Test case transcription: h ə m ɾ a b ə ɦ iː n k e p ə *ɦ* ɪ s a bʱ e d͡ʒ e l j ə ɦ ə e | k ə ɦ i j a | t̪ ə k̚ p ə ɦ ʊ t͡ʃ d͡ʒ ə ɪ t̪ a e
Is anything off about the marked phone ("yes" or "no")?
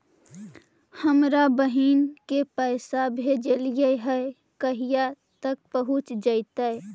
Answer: yes